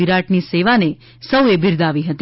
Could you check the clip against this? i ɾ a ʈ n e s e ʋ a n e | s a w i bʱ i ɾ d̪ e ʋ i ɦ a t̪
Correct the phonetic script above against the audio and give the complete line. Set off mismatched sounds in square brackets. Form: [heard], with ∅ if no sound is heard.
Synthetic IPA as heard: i ɾ a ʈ n [i] s e ʋ a n e | s [ə] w [e] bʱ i ɾ d̪ [a] ʋ i ɦ [ə] t̪